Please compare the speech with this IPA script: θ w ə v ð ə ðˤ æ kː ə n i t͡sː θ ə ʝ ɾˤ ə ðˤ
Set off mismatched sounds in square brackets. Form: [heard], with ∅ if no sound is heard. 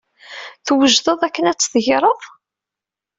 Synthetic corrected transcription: θ w ə [ʒ] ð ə ðˤ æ kː ə n [æ] t͡sː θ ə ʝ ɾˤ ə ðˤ

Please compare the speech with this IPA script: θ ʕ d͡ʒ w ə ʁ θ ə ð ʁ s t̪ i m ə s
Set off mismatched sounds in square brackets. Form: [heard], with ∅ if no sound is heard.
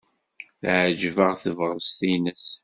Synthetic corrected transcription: θ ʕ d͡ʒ [v] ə ʁ θ ə [v] ʁ s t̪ i [n] ə s

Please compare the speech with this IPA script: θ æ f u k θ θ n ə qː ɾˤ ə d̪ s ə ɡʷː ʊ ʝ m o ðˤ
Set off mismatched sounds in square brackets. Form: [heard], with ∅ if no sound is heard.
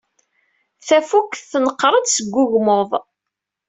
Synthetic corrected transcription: θ æ f u k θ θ n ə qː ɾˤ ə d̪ s ə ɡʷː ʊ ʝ m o ðˤ

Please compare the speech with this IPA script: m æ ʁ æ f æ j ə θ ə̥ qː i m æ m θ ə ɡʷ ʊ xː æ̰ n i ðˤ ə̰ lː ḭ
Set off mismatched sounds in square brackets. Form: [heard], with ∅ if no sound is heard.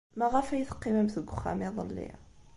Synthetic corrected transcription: m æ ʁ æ f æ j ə θ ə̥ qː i m æ m θ ə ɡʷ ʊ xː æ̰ [m] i ðˤ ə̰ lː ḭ

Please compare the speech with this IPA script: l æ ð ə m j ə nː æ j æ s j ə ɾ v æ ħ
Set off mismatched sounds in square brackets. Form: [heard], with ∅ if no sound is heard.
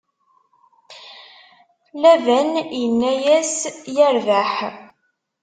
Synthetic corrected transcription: l æ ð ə [n] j ə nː æ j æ s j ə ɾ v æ ħ

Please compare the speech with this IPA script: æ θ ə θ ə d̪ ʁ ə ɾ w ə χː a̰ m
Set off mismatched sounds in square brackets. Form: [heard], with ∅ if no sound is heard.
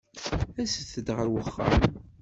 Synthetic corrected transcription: æ [s] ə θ ə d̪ ʁ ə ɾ w ə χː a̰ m

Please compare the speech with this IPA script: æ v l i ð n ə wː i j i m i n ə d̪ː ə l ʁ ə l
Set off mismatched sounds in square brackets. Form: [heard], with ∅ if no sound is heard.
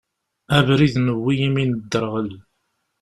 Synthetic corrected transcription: æ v [ɾ] i ð n ə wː i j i m i n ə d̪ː ə [ɾ] ʁ ə l

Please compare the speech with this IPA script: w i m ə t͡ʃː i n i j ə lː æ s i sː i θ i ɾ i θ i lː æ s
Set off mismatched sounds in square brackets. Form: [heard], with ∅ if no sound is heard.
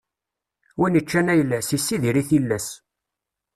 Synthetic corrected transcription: w i [n] ə t͡ʃː [æ] n [æ] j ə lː æ s i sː i [ð] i ɾ i θ i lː æ s

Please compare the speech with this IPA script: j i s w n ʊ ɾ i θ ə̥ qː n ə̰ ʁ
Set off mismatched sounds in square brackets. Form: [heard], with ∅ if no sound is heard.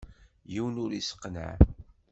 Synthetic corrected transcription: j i [∅] w n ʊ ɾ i [s] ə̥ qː n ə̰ [ʕ]

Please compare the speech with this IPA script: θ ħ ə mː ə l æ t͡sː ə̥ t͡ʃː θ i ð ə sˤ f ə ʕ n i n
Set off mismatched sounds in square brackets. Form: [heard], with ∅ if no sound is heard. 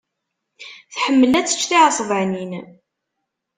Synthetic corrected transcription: θ ħ ə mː ə l æ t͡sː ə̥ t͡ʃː θ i [ʕ] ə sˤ [v] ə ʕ n i n

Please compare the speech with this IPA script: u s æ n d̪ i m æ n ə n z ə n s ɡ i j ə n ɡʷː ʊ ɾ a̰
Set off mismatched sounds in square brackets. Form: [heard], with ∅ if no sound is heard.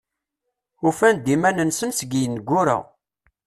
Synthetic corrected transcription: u [f] æ n d̪ i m æ n ə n [s] ə n s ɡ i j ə n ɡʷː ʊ ɾ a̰

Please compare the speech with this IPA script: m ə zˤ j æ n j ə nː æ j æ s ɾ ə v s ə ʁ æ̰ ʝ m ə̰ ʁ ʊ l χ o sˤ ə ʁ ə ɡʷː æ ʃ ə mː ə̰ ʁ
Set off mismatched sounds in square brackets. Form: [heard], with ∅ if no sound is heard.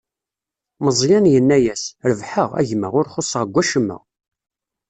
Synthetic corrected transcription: m ə zˤ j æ n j ə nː æ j æ s ɾ ə v [ħ] ə ʁ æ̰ ʝ m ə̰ ʁ ʊ [ɾ] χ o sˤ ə ʁ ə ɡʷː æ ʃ ə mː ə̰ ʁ

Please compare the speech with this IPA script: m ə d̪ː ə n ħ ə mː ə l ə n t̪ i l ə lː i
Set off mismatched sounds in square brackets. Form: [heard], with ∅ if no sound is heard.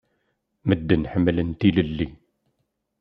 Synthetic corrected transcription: m ə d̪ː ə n ħ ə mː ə l ə n t̪ i l ə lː i

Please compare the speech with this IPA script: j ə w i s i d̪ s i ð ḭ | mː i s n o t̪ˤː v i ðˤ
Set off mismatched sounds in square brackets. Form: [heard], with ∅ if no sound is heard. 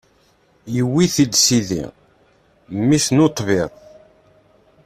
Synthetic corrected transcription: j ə w i [θ] i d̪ s i ð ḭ | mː i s n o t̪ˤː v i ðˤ

